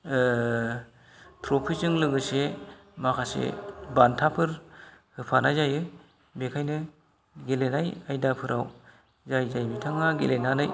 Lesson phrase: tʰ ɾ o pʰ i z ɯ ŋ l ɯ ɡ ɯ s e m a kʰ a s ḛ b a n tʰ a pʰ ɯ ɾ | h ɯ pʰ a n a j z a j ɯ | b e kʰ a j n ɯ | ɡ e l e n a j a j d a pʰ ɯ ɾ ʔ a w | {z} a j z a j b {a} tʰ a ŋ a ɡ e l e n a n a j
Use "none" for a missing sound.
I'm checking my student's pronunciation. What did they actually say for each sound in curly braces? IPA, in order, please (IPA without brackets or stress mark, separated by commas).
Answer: z, i